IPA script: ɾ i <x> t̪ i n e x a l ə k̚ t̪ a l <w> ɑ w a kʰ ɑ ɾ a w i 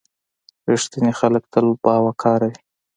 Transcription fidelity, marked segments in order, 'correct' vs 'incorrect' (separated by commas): incorrect, incorrect